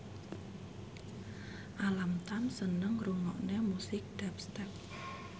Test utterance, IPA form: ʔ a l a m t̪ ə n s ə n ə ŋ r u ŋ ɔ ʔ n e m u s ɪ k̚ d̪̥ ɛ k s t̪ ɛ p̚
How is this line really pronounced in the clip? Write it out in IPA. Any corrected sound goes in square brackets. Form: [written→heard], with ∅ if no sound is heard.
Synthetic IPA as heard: ʔ a l a m t̪ [ə→a] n s ə n ə ŋ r u ŋ ɔ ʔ n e m u s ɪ k̚ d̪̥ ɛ [k→p] s t̪ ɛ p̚